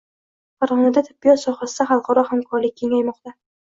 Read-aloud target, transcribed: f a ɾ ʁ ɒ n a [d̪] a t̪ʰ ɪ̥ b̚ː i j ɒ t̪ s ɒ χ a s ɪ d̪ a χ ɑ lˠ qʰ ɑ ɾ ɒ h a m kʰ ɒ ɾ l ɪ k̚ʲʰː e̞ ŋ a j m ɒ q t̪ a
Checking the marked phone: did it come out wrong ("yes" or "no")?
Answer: no